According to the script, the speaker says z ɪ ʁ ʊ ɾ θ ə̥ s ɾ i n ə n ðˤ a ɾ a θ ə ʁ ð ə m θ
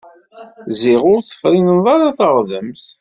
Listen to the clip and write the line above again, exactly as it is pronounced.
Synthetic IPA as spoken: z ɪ ʁ ʊ ɾ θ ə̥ f ɾ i n ə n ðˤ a ɾ a θ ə ʁ ð ə m θ